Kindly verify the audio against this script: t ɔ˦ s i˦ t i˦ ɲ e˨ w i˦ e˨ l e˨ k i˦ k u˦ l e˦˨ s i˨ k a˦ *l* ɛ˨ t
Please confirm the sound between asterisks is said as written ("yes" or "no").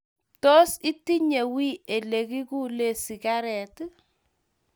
no